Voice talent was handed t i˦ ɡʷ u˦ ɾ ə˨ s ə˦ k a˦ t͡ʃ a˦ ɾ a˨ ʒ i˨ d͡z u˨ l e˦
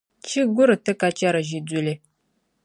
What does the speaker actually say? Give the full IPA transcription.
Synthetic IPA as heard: t͡ʃ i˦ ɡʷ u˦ ɾ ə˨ t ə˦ k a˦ t͡ʃ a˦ ɾ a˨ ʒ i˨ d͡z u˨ l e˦

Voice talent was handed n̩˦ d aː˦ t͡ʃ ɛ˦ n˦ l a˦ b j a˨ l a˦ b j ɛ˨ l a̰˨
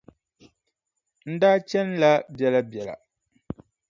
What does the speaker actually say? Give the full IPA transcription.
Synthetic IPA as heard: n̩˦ d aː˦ t͡ʃ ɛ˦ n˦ l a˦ b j ɛ˨ l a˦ b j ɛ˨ l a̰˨

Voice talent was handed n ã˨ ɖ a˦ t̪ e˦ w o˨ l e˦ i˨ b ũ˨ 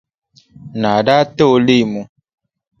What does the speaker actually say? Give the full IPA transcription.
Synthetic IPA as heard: n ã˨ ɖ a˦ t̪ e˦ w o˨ l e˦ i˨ m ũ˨

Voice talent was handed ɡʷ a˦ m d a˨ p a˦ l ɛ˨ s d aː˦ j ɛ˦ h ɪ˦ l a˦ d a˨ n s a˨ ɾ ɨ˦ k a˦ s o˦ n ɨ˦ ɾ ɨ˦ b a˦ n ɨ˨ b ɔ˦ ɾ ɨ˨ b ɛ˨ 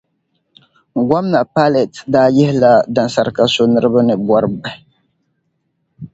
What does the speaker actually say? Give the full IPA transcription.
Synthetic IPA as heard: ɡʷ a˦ m n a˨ p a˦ l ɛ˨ t d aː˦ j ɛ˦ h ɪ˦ l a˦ d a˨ n s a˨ ɾ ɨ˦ k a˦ s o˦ n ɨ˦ ɾ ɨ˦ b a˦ n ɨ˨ b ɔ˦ ɾ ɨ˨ b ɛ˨

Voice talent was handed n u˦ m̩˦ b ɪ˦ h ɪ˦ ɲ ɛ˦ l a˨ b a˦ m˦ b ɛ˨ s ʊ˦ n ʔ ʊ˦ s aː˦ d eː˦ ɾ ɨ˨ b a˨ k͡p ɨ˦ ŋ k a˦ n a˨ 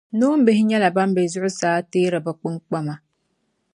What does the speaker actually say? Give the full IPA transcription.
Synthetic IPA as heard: n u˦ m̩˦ b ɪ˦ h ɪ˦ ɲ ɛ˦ l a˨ b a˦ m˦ b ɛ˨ z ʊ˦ ʔ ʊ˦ s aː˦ t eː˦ ɾ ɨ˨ b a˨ k͡p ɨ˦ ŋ k͡p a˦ m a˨

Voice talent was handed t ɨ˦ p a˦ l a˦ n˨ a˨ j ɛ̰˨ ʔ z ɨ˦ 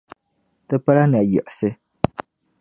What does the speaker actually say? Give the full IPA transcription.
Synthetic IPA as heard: t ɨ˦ p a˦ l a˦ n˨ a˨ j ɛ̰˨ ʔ s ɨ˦

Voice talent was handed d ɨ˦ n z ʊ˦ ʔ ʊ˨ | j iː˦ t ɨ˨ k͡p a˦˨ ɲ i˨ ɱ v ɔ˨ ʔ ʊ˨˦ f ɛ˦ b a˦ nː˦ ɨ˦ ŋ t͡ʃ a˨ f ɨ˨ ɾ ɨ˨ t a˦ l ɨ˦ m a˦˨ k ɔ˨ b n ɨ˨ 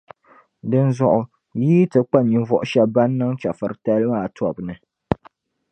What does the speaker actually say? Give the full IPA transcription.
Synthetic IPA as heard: d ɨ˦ n z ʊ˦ ʔ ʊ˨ | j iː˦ t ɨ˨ k͡p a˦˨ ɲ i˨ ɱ v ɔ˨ ʔ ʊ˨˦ ʃ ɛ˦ b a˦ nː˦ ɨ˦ ŋ t͡ʃ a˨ f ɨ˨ ɾ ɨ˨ t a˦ l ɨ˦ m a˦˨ t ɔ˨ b n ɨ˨

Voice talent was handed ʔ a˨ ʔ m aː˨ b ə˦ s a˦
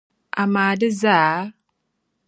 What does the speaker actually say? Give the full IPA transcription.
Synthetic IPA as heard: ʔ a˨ m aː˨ d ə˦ z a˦

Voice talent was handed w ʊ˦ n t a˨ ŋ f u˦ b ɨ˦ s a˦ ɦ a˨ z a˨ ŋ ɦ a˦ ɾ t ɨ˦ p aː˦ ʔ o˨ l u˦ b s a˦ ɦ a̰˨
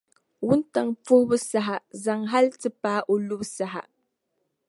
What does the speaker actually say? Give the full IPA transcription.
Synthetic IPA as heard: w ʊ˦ n t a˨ ŋ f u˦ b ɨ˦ s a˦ ɦ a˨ z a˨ ŋ ɦ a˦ l t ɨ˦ p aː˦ ʔ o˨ l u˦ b s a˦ ɦ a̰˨

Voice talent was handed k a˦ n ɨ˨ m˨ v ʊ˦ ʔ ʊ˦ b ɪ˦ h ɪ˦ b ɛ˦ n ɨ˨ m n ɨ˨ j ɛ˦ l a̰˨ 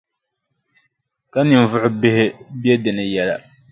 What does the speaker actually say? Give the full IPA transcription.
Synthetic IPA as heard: k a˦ n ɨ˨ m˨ v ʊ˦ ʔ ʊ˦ b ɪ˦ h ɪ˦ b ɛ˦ d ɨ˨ n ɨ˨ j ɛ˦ l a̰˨

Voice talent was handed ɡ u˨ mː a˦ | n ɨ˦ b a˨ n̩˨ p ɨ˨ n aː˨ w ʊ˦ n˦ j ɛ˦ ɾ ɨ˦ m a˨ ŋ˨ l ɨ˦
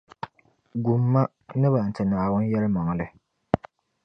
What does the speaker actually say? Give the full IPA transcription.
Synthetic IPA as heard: ɡ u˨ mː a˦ | n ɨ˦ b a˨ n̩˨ t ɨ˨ n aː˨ w ʊ˦ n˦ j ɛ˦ l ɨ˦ m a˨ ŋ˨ l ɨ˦

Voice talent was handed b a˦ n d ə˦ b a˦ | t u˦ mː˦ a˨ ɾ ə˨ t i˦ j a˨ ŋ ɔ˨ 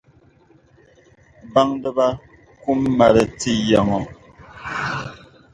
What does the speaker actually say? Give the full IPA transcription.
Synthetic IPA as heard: b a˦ ŋ d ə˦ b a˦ | k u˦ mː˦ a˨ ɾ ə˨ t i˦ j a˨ ŋ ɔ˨

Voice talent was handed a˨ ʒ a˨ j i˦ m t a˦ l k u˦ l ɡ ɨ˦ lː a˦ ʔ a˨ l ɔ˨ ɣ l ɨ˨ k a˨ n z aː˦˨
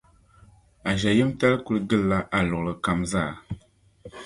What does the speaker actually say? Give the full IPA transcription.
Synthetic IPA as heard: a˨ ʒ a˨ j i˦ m t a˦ l k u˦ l ɡ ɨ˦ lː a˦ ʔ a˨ l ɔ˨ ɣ l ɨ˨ k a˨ m z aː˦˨

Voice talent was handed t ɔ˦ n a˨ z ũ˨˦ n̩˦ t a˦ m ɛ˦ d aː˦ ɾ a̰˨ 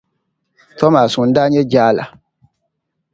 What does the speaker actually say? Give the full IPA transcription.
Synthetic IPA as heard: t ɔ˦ m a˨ s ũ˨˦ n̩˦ d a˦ ɲ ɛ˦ d͡ʒ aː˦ l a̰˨

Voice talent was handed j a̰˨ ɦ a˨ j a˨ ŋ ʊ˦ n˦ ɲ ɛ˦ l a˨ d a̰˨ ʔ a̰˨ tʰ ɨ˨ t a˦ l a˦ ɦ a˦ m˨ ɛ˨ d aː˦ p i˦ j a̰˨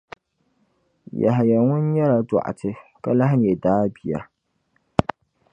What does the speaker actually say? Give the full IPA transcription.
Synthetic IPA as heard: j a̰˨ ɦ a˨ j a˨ ŋ ʊ˦ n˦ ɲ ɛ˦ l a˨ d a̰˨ ʔ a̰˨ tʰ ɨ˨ k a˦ l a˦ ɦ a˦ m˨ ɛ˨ d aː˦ b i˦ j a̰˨

